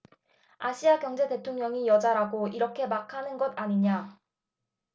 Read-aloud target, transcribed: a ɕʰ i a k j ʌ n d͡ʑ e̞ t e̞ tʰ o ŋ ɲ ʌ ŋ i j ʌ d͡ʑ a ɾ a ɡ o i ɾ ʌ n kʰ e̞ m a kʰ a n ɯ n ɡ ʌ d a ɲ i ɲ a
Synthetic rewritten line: a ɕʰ i a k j ʌ ŋ d͡ʑ e̞ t e̞ tʰ o ŋ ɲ ʌ ŋ i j ʌ d͡ʑ a ɾ a ɡ o i ɾ ʌ kʰ e̞ m a kʰ a n ɯ n ɡ ʌ d a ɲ i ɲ a